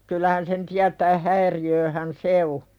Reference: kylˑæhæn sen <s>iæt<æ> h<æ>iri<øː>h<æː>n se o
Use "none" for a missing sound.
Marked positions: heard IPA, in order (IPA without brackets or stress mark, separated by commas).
t, æː, æ, øː, æ